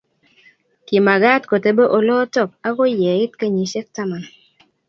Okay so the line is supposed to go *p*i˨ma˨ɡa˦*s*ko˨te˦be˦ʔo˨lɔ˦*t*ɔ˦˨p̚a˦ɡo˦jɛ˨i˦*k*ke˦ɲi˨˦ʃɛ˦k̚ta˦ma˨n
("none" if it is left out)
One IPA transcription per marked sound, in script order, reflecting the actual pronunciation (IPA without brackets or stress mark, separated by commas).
k, t, t, t